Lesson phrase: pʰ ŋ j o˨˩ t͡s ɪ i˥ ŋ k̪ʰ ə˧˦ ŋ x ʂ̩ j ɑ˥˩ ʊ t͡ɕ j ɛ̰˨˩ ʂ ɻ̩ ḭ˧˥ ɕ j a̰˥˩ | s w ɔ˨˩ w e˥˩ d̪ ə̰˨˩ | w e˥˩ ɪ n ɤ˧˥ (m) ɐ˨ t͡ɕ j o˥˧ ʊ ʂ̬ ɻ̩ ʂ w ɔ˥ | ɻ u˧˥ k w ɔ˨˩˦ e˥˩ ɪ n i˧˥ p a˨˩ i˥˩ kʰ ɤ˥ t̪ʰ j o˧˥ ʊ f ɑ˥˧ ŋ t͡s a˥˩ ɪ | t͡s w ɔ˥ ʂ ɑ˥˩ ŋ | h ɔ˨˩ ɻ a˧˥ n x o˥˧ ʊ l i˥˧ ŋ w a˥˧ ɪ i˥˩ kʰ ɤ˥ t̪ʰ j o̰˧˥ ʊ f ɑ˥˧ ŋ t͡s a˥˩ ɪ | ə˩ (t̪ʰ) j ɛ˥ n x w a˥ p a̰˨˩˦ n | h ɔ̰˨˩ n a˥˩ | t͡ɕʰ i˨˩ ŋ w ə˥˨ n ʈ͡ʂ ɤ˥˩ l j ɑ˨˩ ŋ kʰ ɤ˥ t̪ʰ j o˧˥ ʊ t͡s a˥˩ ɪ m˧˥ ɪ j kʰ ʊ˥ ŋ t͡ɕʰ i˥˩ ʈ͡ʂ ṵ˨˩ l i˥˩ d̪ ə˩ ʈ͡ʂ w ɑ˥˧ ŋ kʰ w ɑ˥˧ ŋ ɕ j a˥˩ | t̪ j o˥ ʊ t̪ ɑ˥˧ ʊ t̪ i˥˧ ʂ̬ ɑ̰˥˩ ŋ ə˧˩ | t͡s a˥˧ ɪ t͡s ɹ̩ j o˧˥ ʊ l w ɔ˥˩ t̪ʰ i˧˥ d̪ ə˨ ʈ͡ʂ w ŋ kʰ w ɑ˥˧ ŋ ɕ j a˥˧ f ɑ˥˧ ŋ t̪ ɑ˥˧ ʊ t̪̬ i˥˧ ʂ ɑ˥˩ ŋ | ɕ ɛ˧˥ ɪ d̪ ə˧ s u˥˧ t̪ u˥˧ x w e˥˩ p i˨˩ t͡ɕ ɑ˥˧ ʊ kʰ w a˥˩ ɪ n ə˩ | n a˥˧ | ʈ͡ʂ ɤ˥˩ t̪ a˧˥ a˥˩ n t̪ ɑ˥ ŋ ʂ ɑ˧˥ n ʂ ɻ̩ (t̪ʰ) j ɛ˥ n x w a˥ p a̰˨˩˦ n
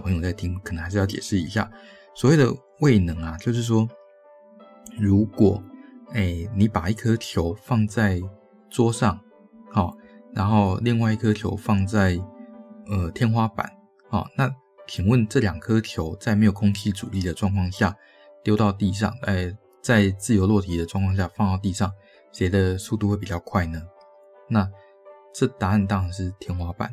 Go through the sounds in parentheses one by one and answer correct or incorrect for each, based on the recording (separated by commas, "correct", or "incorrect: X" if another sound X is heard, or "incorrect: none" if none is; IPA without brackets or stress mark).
incorrect: ŋ, correct, correct